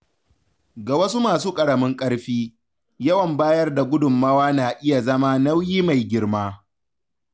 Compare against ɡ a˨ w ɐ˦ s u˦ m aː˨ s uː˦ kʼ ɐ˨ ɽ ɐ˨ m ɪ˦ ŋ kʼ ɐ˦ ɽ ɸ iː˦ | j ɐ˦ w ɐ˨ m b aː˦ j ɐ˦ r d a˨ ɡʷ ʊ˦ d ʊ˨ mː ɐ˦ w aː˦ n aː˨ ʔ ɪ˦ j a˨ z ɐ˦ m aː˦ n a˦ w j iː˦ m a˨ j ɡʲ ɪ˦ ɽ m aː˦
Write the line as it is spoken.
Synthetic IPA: ɡ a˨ w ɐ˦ s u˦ m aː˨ s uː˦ kʼ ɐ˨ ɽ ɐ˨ m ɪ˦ ŋ kʼ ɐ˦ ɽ ɸ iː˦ | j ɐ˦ w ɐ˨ m b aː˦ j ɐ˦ r d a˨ ɡʷ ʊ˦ d ʊ˨ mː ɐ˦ w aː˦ n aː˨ ʔ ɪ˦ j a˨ z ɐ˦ m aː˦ n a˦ w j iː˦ m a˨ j ɡʲ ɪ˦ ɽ m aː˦

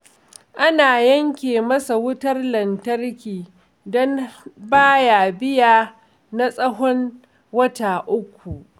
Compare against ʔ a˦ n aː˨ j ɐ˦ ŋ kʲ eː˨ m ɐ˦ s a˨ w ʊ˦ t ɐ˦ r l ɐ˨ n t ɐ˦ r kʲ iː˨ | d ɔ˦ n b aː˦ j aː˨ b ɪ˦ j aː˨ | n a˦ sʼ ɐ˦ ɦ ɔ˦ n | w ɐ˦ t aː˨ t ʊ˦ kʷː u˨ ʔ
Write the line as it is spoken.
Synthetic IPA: ʔ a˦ n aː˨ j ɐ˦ ŋ kʲ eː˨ m ɐ˦ s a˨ w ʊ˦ t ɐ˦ r l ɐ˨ n t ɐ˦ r kʲ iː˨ | d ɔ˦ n b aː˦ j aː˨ b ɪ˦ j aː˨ | n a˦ sʼ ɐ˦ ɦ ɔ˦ n | w ɐ˦ t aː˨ ʔ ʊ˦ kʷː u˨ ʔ

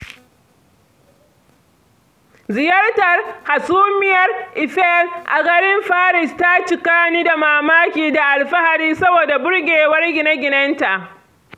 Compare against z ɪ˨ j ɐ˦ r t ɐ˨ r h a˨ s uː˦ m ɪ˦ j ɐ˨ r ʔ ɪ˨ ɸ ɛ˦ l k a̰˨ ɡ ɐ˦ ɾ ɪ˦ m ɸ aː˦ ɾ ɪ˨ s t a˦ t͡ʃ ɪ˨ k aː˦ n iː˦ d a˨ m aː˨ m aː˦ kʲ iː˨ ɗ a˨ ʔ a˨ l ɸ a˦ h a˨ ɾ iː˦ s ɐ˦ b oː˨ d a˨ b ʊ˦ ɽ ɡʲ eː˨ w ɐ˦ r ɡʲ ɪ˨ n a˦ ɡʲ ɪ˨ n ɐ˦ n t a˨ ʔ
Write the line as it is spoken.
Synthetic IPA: z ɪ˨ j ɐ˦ r t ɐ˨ r h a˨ s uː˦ m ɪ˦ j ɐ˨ r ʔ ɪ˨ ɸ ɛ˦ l ʔ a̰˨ ɡ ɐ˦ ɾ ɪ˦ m ɸ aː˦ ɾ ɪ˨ s t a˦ t͡ʃ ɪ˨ k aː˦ n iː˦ d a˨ m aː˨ m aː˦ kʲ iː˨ d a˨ ʔ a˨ l ɸ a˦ h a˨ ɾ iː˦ s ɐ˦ b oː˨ d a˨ b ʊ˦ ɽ ɡʲ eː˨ w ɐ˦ r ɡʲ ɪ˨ n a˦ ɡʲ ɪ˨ n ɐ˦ n t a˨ ʔ

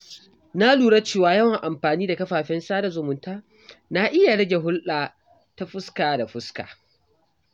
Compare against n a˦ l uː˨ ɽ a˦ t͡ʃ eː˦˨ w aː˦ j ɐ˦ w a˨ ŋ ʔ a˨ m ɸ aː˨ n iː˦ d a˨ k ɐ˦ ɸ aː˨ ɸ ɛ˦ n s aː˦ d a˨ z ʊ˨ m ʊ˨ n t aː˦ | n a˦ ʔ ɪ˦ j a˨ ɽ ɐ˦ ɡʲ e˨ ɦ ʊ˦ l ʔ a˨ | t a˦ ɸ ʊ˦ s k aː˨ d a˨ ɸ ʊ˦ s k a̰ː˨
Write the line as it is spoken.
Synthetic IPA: n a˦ l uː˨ ɽ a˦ t͡ʃ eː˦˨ w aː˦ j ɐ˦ w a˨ ŋ ʔ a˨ m ɸ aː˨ n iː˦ d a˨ k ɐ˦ ɸ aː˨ ɸ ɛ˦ n s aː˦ d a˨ z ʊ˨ m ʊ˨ n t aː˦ | n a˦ ʔ ɪ˦ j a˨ ɽ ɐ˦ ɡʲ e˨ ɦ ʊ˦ l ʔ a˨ | t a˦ ɸ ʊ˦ s k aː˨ d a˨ ɸ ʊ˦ s k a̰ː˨

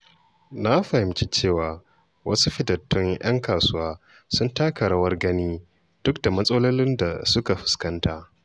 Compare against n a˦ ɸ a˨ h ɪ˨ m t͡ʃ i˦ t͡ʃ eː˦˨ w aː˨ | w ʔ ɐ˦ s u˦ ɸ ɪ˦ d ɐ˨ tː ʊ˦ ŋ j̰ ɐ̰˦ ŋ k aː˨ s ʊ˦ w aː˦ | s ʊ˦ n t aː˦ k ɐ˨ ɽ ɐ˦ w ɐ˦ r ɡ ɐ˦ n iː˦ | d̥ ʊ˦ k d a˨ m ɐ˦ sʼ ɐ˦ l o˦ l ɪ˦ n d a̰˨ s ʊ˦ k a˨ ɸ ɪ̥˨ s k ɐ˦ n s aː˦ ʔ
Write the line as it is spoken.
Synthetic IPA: n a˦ ɸ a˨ h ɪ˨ m t͡ʃ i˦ t͡ʃ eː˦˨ w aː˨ | w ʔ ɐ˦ s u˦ ɸ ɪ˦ d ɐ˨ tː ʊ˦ ŋ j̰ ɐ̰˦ ŋ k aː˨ s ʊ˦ w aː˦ | s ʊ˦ n t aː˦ k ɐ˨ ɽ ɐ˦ w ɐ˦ r ɡ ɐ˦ n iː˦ | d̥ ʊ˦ k d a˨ m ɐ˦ sʼ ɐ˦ l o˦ l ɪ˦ n d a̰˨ s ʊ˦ k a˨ ɸ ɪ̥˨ s k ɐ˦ n t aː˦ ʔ

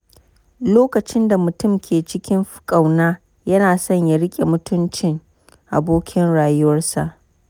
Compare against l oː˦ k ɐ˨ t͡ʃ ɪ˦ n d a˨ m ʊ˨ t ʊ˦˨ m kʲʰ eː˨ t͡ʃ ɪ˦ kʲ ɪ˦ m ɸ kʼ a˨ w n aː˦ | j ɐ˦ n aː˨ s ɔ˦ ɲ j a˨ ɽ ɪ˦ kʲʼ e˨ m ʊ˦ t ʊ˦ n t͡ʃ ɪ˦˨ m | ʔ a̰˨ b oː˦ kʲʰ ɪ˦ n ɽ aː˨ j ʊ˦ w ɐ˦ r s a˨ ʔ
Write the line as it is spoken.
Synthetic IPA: l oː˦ k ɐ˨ t͡ʃ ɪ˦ n d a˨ m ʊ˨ t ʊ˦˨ m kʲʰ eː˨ t͡ʃ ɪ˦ kʲ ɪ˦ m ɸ kʼ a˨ w n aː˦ | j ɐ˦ n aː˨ s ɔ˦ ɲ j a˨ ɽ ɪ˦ kʲʼ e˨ m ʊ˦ t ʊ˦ n t͡ʃ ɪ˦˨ ŋ | ʔ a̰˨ b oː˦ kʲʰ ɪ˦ n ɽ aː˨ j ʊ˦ w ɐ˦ r s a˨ ʔ

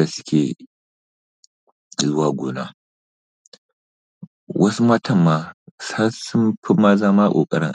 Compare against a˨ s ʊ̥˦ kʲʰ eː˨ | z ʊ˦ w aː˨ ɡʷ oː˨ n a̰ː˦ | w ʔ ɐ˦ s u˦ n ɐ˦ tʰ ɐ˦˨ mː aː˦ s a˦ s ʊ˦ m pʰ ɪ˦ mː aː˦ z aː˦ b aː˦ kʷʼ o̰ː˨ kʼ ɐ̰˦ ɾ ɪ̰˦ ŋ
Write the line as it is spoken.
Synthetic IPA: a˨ s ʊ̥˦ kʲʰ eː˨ | z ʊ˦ w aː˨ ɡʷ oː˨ n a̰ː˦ | w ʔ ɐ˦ s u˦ m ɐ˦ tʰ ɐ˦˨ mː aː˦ s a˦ s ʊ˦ m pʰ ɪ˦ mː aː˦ z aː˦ m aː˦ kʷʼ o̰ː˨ kʼ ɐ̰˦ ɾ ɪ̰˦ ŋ

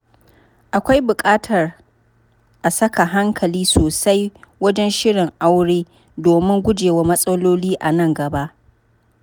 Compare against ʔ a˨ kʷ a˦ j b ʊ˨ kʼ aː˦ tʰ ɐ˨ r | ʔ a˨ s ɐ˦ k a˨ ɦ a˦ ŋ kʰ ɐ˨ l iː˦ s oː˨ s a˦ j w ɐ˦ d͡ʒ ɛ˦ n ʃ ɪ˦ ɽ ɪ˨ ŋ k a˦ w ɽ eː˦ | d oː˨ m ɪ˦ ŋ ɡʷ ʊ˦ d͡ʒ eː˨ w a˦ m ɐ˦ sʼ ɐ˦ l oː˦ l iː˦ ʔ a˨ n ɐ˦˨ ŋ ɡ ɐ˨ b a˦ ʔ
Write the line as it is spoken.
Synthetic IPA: ʔ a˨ kʷ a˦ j b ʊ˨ kʼ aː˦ tʰ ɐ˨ r | ʔ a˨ s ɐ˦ k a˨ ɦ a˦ ŋ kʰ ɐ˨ l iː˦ s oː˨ s a˦ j w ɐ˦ d͡ʒ ɛ˦ n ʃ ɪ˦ ɽ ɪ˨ ŋ ʔ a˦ w ɽ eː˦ | d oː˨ m ɪ˦ ŋ ɡʷ ʊ˦ d͡ʒ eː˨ w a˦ m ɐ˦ sʼ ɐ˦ l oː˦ l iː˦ ʔ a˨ n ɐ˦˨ ŋ ɡ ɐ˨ b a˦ ʔ

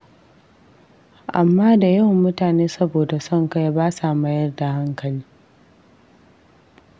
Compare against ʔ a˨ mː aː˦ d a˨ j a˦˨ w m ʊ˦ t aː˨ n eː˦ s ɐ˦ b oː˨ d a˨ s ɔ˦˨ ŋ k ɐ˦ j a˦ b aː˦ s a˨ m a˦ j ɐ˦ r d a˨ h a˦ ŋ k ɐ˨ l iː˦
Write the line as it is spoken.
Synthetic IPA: ʔ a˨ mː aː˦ d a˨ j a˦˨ w m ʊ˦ t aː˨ n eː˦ s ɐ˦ b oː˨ d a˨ s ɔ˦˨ ŋ k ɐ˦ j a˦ b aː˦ s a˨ m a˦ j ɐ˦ r d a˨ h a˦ ŋ k ɐ˨ l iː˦

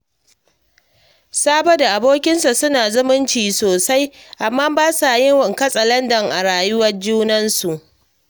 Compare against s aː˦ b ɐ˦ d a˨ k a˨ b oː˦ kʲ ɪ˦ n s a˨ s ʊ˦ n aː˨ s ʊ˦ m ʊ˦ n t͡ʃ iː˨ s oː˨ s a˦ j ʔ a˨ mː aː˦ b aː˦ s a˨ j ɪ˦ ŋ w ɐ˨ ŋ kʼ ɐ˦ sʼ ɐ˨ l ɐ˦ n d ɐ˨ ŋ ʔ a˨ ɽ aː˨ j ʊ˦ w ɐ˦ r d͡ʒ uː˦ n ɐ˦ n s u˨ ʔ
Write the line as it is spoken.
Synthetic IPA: s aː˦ b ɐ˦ d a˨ ʔ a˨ b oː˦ kʲ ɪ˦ n s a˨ s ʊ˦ n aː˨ z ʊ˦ m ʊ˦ n t͡ʃ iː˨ s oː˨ s a˦ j ʔ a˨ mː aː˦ b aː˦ s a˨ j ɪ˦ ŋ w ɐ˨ ŋ k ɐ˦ sʼ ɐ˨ l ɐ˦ n d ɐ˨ ŋ ʔ a˨ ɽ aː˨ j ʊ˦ w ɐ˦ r d͡ʒ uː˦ n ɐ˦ n s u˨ ʔ

